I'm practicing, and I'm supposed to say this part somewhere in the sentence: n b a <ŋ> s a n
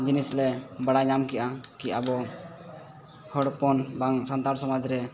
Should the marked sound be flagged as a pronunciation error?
no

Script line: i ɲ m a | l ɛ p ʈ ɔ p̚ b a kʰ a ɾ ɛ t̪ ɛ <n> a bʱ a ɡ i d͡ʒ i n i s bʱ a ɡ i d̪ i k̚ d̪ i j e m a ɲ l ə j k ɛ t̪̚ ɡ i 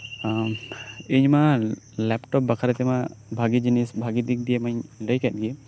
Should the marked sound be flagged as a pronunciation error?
yes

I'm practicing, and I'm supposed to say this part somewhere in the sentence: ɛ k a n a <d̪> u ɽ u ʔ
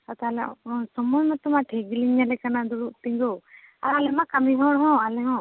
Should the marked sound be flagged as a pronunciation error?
no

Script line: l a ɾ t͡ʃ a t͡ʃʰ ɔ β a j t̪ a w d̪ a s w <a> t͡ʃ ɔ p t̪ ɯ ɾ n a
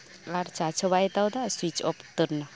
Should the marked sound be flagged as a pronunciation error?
yes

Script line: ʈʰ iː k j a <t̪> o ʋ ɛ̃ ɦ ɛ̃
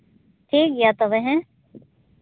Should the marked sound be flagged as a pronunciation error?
no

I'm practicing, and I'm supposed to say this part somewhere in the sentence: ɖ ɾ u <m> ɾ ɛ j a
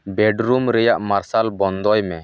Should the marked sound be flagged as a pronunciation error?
no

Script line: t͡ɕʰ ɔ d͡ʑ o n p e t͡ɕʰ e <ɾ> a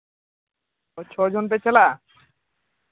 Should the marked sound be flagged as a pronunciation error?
yes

